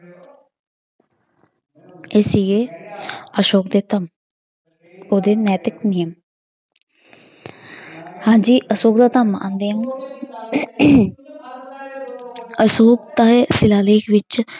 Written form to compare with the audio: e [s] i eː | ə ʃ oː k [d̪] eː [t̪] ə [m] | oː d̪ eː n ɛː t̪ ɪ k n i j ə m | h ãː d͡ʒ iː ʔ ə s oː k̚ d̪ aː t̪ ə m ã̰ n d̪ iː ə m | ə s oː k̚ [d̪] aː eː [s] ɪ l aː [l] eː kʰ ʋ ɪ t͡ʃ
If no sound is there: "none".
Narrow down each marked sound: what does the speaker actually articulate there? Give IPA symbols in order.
s, d̪, t̪, m, t̪, s, l

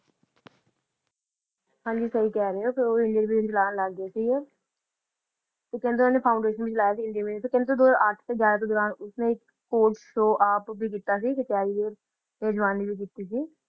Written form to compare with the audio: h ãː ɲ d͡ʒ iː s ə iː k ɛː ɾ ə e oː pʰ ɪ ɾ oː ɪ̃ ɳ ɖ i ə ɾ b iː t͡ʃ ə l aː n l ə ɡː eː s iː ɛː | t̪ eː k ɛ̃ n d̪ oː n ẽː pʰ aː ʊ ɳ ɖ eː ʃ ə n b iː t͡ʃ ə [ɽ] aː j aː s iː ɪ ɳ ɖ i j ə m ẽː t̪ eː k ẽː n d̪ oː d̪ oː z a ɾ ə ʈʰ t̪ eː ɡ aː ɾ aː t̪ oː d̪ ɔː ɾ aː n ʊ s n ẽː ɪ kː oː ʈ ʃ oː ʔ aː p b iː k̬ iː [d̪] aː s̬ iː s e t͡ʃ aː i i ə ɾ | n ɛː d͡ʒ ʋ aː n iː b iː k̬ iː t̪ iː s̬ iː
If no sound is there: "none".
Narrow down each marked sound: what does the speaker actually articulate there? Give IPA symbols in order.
l, t̪

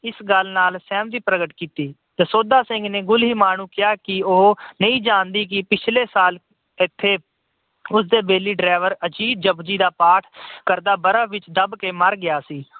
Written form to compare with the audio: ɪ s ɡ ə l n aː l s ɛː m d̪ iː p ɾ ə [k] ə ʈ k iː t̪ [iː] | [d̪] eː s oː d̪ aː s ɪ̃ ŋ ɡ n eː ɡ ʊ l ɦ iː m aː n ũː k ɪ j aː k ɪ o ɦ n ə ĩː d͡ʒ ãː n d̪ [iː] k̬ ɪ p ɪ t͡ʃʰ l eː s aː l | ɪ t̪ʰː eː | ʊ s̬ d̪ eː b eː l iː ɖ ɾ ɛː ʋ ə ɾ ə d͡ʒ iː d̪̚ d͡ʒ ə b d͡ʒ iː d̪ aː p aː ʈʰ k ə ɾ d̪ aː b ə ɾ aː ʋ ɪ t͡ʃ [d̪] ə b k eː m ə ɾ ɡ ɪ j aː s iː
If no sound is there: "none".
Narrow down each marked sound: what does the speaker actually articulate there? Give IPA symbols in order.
ɡ, iː, t̪, iː, d̪

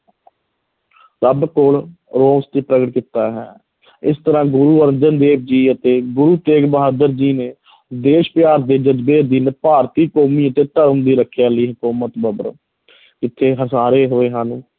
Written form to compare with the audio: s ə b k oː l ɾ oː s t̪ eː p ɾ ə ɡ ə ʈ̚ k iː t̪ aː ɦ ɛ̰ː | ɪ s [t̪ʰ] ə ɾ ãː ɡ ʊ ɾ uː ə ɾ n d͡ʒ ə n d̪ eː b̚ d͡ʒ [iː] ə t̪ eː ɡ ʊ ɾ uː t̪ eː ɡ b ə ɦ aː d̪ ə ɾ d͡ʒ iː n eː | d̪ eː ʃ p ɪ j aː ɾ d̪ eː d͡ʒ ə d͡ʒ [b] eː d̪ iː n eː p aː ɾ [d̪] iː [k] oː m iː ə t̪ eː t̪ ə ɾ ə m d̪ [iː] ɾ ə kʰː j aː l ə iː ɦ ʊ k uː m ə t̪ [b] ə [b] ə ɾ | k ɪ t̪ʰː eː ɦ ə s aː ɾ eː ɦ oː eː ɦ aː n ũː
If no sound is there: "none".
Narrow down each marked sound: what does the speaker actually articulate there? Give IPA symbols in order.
t̪, iː, b, t̪, k, iː, b, b

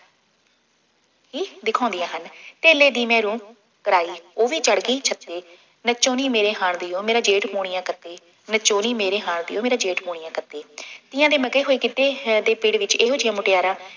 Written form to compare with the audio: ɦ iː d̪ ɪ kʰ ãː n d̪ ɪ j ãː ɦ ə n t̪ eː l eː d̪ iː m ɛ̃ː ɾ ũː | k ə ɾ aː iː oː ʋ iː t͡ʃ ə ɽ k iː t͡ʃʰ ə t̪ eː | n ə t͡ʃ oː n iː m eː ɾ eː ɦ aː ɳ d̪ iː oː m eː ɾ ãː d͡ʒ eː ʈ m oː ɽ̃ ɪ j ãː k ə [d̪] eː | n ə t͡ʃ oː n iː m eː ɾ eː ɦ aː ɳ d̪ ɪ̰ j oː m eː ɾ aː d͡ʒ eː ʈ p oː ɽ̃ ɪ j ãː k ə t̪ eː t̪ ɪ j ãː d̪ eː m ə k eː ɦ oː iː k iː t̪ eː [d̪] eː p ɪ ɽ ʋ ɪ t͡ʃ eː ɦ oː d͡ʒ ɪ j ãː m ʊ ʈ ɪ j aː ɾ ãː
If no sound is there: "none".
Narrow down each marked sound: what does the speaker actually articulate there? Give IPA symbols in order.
t̪, d̪

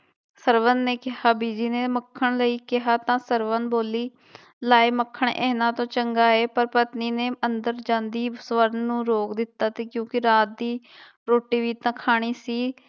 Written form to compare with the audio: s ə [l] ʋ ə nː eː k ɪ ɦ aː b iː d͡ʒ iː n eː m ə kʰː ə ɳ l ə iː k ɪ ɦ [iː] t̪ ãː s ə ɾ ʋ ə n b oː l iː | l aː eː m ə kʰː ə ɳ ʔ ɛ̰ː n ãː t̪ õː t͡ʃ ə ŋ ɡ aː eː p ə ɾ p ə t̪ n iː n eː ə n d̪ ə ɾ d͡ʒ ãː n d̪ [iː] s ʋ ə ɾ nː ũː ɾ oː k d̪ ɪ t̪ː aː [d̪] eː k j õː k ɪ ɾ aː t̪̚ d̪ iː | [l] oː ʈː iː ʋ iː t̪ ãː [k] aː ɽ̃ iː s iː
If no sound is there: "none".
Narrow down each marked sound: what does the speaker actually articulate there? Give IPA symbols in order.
ɾ, aː, iː, t̪, ɾ, kʰ

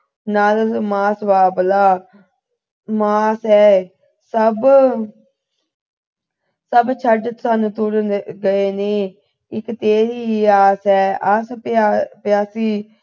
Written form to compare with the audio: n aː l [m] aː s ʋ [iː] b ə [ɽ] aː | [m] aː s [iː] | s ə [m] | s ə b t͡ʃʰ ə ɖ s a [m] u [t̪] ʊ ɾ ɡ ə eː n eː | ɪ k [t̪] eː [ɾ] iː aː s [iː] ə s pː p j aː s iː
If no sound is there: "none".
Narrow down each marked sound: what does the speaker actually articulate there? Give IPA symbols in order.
m, aː, l, m, ɛː, b, n, t̪, t̪, ɾ, ɛː

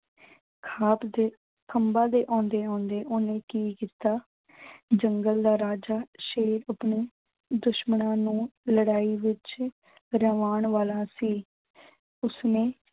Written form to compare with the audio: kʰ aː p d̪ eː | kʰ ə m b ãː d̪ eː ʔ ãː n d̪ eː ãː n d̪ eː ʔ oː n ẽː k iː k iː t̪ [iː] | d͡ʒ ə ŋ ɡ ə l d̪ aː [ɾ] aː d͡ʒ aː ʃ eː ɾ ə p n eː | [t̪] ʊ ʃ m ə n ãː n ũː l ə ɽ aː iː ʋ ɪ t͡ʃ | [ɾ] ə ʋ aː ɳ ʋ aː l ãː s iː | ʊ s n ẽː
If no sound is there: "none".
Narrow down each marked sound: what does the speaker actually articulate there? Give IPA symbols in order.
aː, ɾ, d̪, ɾ

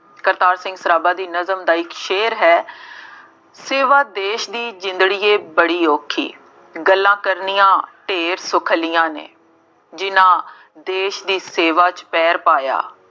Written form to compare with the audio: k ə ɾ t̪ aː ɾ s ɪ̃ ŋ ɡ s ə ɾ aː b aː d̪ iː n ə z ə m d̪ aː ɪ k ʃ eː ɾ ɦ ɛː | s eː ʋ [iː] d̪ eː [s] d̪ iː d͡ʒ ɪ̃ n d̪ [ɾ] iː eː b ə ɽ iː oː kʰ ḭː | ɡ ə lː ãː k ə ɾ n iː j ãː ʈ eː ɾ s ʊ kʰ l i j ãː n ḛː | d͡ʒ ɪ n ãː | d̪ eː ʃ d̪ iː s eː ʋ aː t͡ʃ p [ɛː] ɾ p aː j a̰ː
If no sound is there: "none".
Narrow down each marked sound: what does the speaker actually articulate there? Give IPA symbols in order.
aː, ʃ, ɽ, ɛː

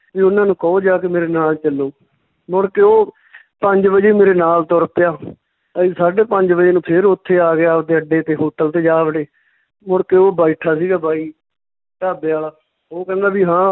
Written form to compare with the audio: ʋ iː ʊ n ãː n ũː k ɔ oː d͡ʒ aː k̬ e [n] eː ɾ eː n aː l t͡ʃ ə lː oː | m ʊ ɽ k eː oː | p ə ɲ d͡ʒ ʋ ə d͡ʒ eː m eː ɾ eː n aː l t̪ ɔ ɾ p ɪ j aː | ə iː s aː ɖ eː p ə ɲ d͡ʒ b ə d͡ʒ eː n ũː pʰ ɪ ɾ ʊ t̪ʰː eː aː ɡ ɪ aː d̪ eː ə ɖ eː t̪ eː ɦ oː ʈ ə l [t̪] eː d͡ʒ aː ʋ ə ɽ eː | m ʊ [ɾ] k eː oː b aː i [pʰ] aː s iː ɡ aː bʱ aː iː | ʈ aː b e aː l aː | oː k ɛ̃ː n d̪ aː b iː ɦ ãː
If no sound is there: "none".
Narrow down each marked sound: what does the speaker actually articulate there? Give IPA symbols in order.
m, t̪, ɽ, ʈʰ

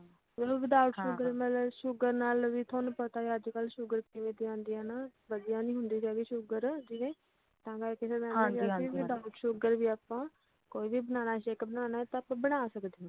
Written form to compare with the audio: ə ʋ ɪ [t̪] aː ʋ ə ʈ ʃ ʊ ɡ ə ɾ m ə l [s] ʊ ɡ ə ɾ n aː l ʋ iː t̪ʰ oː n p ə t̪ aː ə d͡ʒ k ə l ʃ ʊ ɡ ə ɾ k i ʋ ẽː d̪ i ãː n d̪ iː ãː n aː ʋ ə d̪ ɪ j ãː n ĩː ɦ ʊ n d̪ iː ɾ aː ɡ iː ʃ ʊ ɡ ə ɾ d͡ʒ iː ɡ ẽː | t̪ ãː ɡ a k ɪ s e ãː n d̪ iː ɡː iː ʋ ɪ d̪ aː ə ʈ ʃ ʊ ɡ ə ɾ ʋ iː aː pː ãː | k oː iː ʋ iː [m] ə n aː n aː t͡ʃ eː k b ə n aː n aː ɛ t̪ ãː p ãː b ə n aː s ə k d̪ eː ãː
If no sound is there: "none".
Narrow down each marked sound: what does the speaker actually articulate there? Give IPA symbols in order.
d̪, ʃ, b

